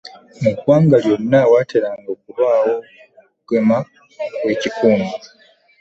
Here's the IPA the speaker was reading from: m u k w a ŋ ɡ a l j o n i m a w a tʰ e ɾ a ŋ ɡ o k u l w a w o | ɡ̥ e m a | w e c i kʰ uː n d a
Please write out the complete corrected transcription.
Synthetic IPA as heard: m u k w a ŋ ɡ a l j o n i n a w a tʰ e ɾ a ŋ ɡ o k u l w a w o | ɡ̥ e m a | w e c i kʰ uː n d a